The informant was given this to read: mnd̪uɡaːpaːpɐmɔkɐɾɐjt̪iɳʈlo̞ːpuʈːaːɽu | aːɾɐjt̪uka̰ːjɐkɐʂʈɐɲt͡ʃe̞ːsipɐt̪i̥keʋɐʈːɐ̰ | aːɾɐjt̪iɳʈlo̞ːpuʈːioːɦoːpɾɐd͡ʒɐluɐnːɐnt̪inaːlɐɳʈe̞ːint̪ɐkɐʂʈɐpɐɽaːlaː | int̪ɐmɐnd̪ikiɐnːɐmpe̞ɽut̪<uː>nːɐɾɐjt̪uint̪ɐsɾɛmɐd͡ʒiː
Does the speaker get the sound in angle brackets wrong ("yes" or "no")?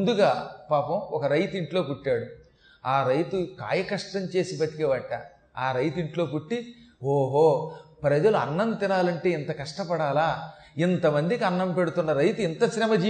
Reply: yes